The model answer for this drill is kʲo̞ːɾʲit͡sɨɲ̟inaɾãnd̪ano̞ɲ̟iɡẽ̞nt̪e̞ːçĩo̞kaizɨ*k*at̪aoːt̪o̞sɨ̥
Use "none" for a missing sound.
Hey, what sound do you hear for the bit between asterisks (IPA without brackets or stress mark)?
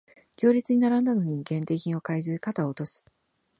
k